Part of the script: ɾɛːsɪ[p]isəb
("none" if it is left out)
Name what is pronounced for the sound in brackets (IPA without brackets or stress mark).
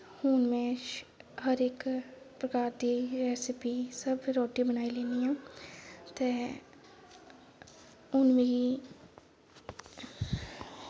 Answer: p